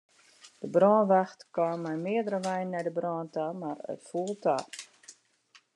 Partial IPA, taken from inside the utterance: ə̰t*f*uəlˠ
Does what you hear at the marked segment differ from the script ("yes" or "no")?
no